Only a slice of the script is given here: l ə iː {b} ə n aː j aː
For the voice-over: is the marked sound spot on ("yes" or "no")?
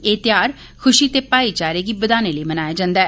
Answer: no